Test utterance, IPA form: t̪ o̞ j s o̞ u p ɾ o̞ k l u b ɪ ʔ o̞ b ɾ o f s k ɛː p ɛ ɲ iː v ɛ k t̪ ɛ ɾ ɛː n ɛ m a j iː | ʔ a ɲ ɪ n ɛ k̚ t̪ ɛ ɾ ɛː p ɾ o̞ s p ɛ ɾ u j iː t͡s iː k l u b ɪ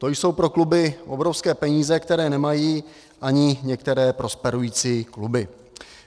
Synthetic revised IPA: t̪ o̞ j s o̞ w p ɾ o̞ k l u b ɪ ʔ o̞ b ɾ o f s k ɛː p ɛ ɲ iː z ɛ k t̪ ɛ ɾ ɛː n ɛ m a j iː | ʔ a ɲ ɪ ɲ ɛ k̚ t̪ ɛ ɾ ɛː p ɾ o̞ s p ɛ ɾ u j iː t͡s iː k l u b ɪ